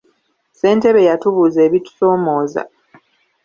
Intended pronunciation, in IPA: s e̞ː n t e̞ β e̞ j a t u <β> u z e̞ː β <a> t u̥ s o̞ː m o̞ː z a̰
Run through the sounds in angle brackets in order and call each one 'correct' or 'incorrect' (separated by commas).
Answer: correct, incorrect